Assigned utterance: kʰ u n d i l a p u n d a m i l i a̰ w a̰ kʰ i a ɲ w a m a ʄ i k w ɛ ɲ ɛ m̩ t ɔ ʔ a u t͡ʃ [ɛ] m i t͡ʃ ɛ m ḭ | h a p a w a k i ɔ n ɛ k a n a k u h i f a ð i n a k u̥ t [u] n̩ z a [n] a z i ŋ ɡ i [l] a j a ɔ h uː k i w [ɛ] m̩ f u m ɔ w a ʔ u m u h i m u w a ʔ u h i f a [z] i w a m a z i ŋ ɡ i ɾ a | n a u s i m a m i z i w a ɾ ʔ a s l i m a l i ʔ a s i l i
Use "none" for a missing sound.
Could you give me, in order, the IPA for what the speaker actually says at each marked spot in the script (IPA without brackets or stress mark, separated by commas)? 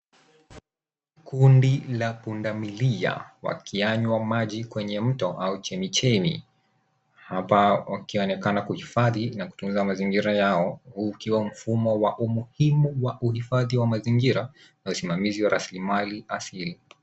ɛ, u, m, ɾ, a, ð